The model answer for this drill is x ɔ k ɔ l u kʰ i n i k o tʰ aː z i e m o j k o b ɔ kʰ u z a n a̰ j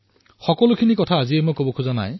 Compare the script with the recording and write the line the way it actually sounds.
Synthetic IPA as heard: x ɔ k ɔ l u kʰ i n i k ɔ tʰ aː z i e m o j k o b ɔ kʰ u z a n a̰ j